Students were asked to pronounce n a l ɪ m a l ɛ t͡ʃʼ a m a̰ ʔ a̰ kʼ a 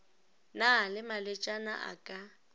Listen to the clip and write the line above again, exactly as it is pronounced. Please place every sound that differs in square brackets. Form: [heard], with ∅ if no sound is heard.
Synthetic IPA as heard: n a l ɪ m a l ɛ t͡ʃʼ a [n] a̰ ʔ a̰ kʼ a